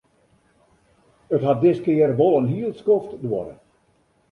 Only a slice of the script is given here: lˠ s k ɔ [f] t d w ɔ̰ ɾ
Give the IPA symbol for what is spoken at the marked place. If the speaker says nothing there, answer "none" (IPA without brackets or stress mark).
f